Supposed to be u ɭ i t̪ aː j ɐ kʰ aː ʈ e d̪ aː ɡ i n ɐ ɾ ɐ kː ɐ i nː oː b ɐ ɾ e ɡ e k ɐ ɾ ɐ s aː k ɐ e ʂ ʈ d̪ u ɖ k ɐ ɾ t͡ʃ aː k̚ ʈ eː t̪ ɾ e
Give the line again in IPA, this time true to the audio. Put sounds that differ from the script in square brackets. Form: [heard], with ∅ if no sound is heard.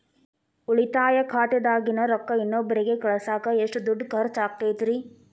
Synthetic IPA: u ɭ i t̪ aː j ɐ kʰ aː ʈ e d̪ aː ɡ i n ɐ ɾ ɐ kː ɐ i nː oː b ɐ ɾ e ɡ e k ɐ [ɭ] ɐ s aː k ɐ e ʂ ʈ d̪ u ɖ k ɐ ɾ t͡ʃ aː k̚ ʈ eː t̪ ɾ [i]

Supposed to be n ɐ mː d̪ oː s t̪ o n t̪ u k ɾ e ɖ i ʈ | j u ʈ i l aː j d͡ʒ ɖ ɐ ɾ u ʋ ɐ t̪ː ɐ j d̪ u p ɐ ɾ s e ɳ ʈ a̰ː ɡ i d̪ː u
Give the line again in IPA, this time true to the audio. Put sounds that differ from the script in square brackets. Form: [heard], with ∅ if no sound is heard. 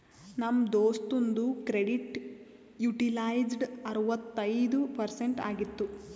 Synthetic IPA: n ɐ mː d̪ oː s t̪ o n [d̪] u k ɾ e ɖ i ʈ | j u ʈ i l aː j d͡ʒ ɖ ɐ ɾ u ʋ ɐ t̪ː ɐ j d̪ u p ɐ ɾ s e ɳ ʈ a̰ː ɡ i [t̪ː] u

